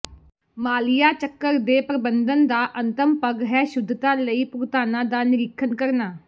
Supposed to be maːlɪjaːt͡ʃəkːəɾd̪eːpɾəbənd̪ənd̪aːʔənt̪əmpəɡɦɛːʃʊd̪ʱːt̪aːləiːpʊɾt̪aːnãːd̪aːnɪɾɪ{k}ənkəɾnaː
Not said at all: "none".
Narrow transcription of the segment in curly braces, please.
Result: kʰ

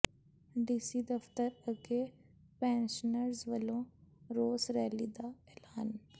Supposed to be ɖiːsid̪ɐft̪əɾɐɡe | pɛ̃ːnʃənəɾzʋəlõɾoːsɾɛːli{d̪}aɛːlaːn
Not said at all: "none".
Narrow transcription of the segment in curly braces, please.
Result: d̪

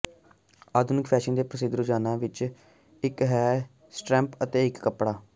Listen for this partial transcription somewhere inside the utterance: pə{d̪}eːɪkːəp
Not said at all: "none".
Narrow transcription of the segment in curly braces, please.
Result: t̪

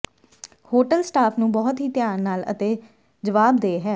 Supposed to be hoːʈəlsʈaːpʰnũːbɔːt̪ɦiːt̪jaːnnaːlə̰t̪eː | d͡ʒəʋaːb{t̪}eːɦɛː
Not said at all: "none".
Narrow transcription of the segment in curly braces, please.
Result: d̪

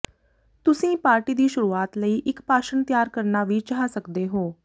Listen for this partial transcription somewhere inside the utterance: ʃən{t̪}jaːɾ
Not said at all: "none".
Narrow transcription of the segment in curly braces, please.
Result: t̪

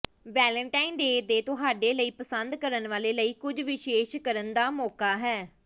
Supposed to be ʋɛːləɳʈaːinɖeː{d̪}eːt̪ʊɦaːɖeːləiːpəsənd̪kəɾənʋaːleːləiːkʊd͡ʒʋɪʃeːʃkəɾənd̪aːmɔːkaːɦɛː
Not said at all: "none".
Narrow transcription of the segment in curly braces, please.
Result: d̪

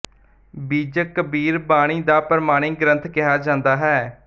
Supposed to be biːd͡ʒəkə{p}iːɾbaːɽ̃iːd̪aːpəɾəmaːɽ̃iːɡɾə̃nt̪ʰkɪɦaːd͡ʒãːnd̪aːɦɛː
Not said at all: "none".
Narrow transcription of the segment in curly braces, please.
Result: b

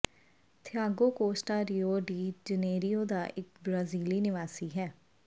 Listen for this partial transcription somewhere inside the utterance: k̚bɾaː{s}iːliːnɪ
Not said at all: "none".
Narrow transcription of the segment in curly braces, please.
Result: z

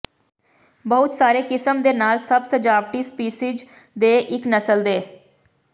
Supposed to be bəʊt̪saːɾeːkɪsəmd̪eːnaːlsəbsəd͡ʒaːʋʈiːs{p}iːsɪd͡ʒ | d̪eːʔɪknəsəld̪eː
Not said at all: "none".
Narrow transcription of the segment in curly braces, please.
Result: p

